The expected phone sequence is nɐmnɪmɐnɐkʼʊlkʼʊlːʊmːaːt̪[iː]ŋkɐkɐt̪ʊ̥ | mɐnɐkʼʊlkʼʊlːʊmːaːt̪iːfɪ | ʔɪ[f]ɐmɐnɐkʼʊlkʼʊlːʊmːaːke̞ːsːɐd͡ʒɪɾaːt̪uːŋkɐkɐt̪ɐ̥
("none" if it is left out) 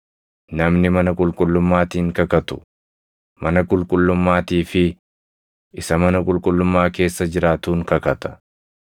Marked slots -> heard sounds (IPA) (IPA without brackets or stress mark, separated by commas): iː, s